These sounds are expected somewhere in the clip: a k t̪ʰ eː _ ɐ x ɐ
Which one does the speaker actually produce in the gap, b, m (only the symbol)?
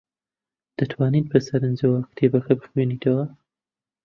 b